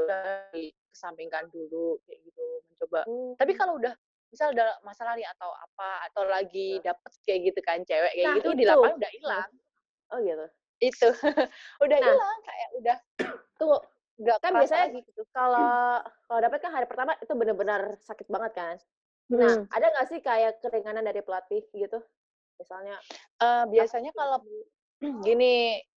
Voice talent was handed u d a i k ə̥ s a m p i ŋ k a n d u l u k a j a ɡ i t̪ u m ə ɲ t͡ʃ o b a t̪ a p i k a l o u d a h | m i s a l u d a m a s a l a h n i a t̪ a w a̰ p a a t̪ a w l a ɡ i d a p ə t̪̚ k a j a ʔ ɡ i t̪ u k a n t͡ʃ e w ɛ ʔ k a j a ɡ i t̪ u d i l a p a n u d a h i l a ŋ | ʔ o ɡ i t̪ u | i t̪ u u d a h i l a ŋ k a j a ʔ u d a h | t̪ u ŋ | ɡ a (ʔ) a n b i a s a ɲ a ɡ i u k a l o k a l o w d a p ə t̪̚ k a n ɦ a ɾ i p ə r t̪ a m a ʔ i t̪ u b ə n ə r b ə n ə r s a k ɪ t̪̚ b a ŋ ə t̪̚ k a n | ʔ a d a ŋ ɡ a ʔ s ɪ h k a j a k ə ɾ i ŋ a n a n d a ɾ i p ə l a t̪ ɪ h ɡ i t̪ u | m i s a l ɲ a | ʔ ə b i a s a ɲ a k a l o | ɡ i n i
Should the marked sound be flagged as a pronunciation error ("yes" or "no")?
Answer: yes